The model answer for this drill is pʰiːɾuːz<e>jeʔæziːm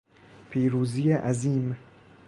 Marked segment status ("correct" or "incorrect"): incorrect